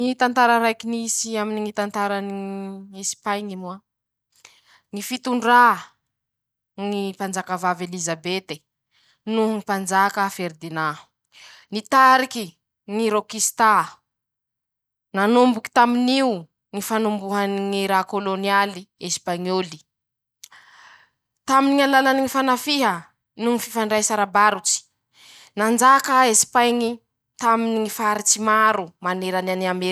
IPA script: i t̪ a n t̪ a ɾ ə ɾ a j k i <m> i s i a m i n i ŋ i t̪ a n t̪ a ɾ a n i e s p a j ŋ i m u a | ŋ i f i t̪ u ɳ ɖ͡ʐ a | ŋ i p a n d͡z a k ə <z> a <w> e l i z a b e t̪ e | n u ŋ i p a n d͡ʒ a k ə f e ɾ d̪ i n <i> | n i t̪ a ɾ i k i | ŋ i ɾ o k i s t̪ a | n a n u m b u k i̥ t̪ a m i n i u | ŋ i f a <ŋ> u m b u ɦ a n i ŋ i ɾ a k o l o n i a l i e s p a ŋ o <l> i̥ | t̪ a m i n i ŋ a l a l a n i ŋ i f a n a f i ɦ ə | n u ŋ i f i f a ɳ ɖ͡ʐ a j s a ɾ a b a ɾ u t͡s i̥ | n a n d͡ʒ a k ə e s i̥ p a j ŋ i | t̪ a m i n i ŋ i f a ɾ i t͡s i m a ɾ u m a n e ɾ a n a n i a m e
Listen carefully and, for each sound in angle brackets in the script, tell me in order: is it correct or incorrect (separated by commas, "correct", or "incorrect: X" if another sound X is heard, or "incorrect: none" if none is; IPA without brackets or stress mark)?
incorrect: n, incorrect: v, incorrect: v, incorrect: a, incorrect: n, correct